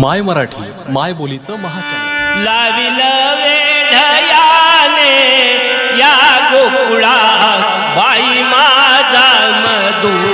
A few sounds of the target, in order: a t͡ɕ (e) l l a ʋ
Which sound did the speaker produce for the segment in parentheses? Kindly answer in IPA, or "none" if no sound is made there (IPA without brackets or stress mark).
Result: a